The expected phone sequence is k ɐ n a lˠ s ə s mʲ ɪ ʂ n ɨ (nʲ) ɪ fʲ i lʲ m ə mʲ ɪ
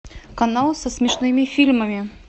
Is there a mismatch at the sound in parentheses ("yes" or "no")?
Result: yes